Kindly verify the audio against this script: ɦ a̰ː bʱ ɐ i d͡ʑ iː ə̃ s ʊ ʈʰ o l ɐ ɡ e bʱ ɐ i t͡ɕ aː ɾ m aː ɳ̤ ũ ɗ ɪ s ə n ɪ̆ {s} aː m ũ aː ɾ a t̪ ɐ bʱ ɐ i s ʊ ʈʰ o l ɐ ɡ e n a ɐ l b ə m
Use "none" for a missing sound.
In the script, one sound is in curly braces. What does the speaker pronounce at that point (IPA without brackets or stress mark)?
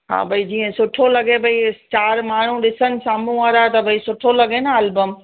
s